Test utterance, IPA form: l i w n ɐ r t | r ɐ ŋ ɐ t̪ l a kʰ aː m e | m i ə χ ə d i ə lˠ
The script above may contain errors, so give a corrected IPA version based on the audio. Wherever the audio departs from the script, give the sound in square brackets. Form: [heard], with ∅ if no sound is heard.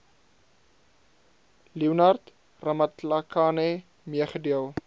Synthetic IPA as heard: l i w n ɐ r t | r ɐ [m] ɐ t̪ l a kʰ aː [n] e | m i ə χ ə d i ə lˠ